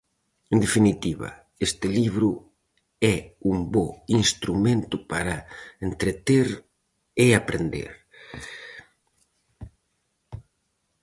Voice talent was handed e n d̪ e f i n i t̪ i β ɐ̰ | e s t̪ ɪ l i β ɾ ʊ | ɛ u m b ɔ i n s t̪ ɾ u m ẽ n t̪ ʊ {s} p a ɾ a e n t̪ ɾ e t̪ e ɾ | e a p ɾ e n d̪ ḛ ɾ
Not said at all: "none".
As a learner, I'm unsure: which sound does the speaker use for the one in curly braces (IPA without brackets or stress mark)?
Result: none